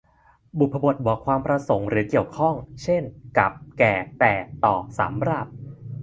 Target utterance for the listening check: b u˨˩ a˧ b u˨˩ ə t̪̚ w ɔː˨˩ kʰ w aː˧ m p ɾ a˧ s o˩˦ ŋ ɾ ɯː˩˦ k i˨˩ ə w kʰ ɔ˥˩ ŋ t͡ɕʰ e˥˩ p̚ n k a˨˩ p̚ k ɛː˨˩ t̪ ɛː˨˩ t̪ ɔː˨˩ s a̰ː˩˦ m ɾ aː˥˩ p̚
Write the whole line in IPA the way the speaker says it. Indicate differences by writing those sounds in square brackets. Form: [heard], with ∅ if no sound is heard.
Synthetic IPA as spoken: b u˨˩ a˧ b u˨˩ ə t̪̚ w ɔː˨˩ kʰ w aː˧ m p ɾ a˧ s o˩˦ ŋ ɾ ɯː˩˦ k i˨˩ ə w kʰ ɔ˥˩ ŋ t͡ɕʰ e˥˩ [∅] n k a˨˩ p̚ k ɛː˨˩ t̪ ɛː˨˩ t̪ ɔː˨˩ s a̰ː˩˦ m ɾ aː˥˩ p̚